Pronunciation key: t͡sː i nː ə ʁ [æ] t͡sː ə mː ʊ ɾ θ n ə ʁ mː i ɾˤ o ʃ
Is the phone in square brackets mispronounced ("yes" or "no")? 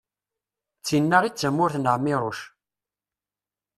yes